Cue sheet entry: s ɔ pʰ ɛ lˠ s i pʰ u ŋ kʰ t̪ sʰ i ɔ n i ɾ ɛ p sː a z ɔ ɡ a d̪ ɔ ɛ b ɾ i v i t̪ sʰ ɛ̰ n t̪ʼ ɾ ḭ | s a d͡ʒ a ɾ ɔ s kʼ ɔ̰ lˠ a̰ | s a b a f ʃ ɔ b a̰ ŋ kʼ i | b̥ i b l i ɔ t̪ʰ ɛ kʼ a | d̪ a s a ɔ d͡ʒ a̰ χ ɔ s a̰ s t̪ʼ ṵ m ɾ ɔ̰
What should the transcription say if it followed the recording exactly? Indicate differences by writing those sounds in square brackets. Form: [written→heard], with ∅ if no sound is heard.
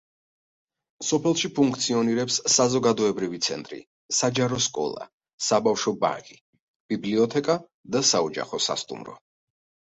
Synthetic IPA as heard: s ɔ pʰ ɛ lˠ [s→ʃ] i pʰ u ŋ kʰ t̪ sʰ i ɔ n i ɾ ɛ p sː a z ɔ ɡ a d̪ ɔ ɛ b ɾ i v i t̪ sʰ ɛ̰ n t̪ʼ ɾ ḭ | s a d͡ʒ a ɾ ɔ s kʼ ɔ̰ lˠ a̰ | s a b a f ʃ ɔ b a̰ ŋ kʼ i | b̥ i b l i ɔ t̪ʰ ɛ kʼ a | d̪ a s a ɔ d͡ʒ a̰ χ ɔ s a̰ s t̪ʼ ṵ m ɾ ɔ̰

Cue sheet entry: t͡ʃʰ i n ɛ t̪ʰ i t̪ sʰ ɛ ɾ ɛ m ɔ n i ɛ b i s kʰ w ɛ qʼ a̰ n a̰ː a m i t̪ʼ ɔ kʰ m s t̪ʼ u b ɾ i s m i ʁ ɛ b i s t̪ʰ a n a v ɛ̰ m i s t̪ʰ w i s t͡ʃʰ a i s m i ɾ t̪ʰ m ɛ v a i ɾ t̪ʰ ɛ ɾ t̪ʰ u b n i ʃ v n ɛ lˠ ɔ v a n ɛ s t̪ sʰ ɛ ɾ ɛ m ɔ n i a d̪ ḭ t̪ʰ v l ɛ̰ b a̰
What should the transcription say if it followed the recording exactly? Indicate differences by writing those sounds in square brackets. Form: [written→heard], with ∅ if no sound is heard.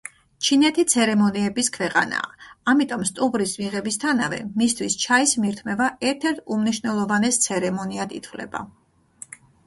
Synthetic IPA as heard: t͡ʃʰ i n ɛ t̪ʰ i t̪ sʰ ɛ ɾ ɛ m ɔ n i ɛ b i s kʰ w ɛ qʼ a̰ n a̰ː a m i t̪ʼ ɔ [kʰ→∅] m s t̪ʼ u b ɾ i s m i ʁ ɛ b i s t̪ʰ a n a v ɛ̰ m i s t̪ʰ w i s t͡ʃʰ a i s m i ɾ t̪ʰ m ɛ v a [i→ɛ] ɾ t̪ʰ ɛ ɾ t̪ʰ u [b→m] n i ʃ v n ɛ lˠ ɔ v a n ɛ s t̪ sʰ ɛ ɾ ɛ m ɔ n i a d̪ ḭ t̪ʰ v l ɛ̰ b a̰

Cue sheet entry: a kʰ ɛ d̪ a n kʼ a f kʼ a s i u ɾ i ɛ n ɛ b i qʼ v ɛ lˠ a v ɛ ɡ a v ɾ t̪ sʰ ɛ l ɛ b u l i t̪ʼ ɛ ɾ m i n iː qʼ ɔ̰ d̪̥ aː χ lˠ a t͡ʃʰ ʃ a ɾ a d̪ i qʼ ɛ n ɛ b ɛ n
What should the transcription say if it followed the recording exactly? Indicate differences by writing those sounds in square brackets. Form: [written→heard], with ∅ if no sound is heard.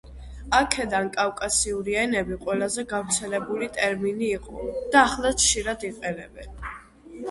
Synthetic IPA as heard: a kʰ ɛ d̪ a n kʼ a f kʼ a s i u ɾ i ɛ n ɛ b i qʼ [v→w] ɛ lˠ a [v→z] ɛ ɡ a v ɾ t̪ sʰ ɛ l ɛ b u l i t̪ʼ ɛ ɾ m i n iː qʼ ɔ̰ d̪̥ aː χ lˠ a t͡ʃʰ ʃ [a→i] ɾ a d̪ i qʼ ɛ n ɛ b ɛ n

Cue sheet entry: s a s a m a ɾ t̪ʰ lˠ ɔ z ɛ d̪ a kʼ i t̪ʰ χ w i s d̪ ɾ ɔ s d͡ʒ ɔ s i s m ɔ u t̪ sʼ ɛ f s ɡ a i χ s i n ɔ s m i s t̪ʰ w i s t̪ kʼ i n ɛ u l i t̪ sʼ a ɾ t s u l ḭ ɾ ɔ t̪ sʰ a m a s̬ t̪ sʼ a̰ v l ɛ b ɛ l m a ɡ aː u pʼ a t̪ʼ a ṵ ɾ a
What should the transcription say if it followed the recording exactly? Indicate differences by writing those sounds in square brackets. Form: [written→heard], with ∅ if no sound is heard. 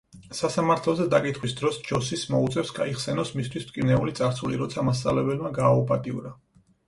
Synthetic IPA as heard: s a s a m a ɾ t̪ʰ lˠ ɔ z ɛ d̪ a kʼ i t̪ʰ χ w i s d̪ ɾ ɔ s d͡ʒ ɔ s i s m ɔ u t̪ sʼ ɛ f s ɡ a i χ s [i→ɛ] n ɔ s m i s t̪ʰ w i s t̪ kʼ i n ɛ u l i t̪ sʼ a ɾ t s u l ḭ ɾ ɔ t̪ sʰ a m a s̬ t̪ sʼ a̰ v l ɛ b ɛ l m a ɡ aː u pʼ a t̪ʼ [a→i] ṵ ɾ a

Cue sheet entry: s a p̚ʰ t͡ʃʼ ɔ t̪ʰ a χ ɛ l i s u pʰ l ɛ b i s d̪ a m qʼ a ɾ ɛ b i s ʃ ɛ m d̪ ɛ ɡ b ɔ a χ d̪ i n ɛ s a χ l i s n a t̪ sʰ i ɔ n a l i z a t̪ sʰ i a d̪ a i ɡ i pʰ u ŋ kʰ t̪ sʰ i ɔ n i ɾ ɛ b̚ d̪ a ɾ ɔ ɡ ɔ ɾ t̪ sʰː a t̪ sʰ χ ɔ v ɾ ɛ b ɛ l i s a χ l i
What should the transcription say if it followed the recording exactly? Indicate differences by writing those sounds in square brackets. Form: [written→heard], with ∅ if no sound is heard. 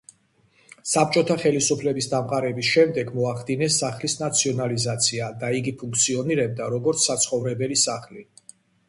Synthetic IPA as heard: s a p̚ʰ t͡ʃʼ ɔ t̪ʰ a χ ɛ l i s u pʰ l ɛ b i s d̪ a m qʼ a ɾ ɛ b i s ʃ ɛ m d̪ ɛ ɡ [b→m] ɔ a χ d̪ i n ɛ s a χ l i s n a t̪ sʰ i ɔ n a l i z a t̪ sʰ i a d̪ a i ɡ i pʰ u ŋ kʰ t̪ sʰ i ɔ n i ɾ ɛ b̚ d̪ a ɾ ɔ ɡ ɔ ɾ t̪ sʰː a t̪ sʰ χ ɔ v ɾ ɛ b ɛ l i s a χ l i

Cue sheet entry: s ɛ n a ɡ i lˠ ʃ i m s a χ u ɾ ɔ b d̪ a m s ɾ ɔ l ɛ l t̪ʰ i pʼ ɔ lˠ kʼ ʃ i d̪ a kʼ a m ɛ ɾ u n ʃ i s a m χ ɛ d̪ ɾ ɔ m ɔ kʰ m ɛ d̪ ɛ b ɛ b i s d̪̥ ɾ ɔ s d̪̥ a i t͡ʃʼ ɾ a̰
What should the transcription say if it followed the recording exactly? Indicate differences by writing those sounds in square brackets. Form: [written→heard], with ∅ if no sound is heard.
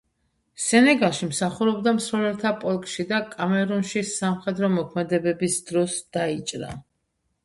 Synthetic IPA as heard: s ɛ n [a→ɛ] ɡ [i→a] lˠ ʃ i m s a χ u ɾ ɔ b d̪ a m s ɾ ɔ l ɛ l t̪ʰ [i→a] pʼ ɔ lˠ kʼ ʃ i d̪ a kʼ a m ɛ ɾ u n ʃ i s a m χ ɛ d̪ ɾ ɔ m ɔ kʰ m ɛ d̪ ɛ b ɛ b i s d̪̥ ɾ ɔ s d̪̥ a i t͡ʃʼ ɾ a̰

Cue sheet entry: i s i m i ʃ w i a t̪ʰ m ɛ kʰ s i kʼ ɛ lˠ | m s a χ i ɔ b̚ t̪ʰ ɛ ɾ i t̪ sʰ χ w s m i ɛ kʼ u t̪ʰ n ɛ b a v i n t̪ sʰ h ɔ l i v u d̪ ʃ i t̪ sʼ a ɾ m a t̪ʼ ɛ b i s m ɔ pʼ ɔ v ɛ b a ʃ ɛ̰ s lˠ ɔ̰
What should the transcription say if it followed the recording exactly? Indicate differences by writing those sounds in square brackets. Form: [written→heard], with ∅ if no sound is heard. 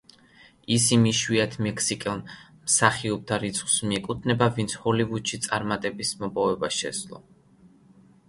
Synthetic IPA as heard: i s i m i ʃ w i a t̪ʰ m ɛ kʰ s i kʼ ɛ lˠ | m s a χ i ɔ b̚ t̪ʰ [ɛ→a] ɾ i t̪ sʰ χ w s m i ɛ kʼ u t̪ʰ n ɛ b a v i n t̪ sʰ h ɔ l i v u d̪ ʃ i t̪ sʼ a ɾ m a t̪ʼ ɛ b i s m ɔ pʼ ɔ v ɛ b a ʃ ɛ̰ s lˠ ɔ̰

